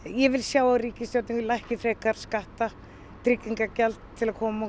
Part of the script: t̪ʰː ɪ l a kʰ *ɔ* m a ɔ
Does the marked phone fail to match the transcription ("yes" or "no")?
yes